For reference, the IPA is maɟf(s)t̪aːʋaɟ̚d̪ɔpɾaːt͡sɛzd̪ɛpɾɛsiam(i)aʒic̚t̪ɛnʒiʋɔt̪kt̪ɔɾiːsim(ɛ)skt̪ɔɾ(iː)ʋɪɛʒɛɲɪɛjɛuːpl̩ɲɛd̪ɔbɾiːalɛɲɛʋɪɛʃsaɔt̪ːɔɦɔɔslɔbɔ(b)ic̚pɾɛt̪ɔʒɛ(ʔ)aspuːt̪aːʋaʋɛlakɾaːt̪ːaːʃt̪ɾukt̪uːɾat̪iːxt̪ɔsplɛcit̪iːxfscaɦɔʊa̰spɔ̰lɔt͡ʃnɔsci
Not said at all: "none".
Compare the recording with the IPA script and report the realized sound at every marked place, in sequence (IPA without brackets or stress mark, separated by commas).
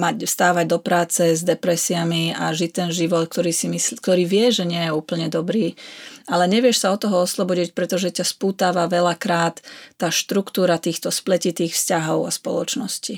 s, i, i, iː, ɟ, c